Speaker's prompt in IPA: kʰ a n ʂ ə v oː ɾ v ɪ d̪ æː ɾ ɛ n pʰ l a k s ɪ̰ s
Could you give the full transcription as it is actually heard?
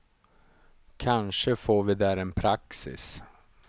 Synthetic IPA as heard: kʰ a n ʂ ə f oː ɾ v ɪ d̪ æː ɾ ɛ n pʰ ɾ a k s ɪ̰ s